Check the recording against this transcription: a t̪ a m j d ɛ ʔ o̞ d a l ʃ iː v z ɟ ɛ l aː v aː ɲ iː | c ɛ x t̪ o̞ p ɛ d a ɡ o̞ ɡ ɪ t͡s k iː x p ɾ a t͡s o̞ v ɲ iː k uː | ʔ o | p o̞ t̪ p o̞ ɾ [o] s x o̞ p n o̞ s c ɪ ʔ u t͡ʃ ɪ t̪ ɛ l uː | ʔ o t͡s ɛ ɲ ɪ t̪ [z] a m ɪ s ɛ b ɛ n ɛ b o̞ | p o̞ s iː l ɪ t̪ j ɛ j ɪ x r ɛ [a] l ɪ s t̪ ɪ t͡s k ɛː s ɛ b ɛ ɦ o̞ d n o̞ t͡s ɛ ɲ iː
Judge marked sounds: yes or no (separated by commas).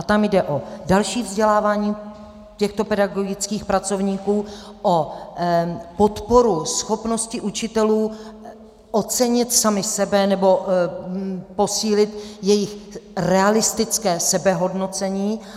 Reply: no, no, yes